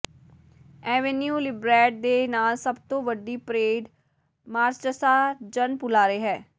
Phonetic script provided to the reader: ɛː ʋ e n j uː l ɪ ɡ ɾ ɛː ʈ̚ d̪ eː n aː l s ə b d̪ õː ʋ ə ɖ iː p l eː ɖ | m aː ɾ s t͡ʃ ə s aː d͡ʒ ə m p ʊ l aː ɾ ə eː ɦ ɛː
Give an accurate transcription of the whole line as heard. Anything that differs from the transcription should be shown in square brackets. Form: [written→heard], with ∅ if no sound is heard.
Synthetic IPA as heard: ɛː ʋ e n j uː l ɪ [ɡ→b] ɾ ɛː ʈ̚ d̪ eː n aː l s ə b [d̪→t̪] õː ʋ ə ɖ iː p [l→ɾ] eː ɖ | m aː ɾ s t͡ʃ ə s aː d͡ʒ ə [m→n] p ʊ l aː ɾ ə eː ɦ ɛː